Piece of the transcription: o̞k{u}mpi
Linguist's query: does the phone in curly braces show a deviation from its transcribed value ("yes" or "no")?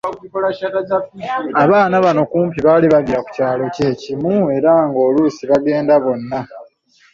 yes